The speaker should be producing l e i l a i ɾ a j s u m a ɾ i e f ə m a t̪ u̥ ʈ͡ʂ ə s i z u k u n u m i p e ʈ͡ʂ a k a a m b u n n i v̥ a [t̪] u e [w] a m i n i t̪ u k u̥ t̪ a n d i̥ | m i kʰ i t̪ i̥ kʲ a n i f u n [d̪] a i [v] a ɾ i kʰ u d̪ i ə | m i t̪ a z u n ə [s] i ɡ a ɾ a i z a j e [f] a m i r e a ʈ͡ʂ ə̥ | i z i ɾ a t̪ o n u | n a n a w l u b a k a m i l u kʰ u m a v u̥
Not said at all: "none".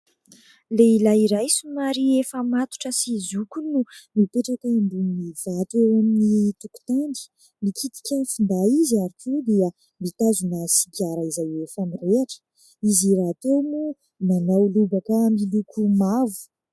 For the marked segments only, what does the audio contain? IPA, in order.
t̪, w, d̪, z, s, f

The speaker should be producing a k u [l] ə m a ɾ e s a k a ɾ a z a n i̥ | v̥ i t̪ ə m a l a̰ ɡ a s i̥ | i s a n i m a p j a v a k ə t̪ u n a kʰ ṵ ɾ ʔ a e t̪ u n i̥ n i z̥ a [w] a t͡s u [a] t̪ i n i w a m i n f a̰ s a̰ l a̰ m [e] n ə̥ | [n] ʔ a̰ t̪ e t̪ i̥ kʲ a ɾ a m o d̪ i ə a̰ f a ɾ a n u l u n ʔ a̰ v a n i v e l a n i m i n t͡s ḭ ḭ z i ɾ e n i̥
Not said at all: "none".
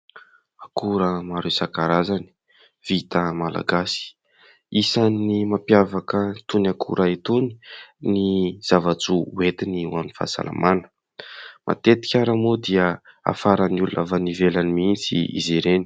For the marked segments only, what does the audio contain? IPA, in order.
ɾ, v, e, a, m

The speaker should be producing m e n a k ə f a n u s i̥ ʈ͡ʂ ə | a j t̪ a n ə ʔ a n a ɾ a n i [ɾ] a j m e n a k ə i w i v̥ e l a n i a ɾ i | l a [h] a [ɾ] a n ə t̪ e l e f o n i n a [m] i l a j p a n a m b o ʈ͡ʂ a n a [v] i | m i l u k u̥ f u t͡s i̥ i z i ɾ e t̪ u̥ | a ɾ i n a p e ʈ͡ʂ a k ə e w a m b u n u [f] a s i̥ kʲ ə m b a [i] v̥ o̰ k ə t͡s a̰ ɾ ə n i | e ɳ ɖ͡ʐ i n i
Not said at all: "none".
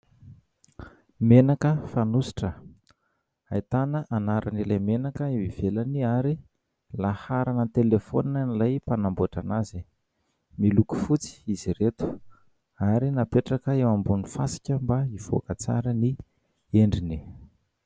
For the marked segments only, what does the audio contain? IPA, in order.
l, h, ɾ, n, z, f, i

